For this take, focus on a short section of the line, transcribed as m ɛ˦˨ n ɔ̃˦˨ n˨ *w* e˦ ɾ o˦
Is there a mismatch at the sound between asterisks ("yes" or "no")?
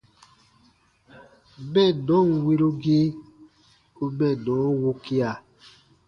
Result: no